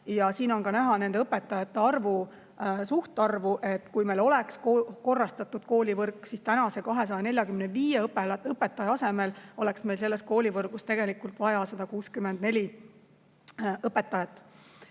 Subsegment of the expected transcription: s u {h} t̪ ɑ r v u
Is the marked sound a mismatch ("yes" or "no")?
no